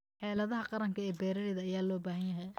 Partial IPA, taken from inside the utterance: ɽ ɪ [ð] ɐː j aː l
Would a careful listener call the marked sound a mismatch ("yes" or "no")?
no